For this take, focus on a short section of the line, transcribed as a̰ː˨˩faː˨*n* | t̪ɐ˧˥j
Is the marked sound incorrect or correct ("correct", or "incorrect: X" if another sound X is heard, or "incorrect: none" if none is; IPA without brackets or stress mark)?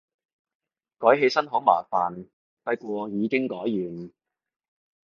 correct